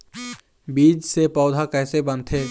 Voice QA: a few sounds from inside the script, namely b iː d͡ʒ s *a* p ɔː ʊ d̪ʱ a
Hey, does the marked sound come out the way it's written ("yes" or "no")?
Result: no